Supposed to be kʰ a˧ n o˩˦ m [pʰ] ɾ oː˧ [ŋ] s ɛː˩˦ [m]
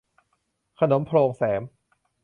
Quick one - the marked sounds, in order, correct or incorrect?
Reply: correct, correct, correct

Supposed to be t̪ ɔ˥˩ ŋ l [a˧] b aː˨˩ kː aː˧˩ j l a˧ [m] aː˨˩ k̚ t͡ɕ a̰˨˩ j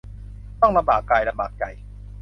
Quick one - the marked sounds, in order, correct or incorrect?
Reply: correct, incorrect

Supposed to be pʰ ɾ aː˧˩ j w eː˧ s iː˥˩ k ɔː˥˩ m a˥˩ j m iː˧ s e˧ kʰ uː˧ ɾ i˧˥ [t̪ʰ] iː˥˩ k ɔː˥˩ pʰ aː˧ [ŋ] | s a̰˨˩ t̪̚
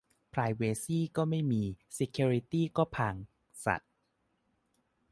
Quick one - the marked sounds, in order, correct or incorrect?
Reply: incorrect, correct

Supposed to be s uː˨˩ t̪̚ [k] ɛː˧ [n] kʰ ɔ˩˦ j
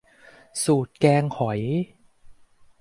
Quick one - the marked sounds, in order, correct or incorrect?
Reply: correct, incorrect

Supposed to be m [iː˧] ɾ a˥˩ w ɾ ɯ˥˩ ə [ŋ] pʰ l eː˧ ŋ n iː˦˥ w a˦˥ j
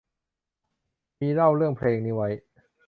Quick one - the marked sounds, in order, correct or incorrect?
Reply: correct, correct

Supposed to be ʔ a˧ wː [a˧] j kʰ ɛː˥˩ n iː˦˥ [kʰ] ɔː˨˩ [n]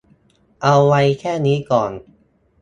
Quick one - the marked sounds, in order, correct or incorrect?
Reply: correct, incorrect, correct

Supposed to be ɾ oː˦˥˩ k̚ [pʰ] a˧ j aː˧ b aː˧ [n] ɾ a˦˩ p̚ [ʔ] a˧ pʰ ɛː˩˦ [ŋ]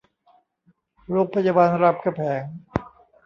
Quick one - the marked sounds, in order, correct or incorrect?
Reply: correct, correct, incorrect, correct

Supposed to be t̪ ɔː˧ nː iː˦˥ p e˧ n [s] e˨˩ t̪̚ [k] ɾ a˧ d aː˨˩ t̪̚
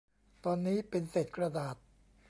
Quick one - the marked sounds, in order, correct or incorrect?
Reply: correct, correct

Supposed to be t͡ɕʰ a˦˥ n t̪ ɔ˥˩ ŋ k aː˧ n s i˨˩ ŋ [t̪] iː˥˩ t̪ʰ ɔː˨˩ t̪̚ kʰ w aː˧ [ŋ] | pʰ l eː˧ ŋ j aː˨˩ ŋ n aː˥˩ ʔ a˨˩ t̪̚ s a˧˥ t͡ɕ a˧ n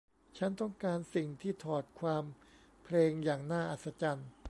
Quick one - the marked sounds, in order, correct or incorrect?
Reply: incorrect, incorrect

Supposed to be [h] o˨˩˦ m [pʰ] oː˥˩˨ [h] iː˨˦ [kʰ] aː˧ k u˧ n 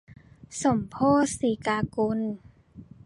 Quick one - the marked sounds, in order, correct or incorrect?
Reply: incorrect, correct, incorrect, incorrect

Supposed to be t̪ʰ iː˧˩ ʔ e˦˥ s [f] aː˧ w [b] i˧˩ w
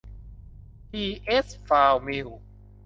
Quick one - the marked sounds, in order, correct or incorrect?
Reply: correct, incorrect

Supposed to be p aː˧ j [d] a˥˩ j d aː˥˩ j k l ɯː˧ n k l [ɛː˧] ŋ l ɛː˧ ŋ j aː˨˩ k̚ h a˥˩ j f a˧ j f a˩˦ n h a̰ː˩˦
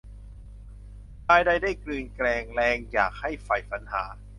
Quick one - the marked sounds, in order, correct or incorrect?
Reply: correct, correct

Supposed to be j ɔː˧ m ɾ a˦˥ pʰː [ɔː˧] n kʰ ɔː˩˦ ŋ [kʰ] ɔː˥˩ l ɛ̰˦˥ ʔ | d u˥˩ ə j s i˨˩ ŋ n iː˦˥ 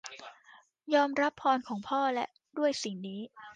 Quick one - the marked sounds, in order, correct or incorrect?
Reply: correct, incorrect

